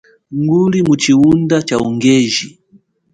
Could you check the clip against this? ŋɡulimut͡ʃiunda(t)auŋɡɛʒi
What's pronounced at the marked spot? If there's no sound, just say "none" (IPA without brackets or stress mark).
t͡ʃ